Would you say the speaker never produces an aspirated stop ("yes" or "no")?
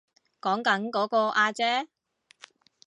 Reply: yes